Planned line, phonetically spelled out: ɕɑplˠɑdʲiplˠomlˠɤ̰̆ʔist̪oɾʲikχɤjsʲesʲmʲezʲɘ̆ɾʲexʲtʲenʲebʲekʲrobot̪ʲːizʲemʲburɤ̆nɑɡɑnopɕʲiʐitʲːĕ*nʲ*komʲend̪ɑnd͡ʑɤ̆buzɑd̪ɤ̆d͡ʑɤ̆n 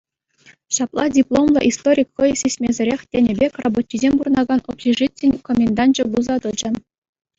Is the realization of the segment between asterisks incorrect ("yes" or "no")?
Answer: no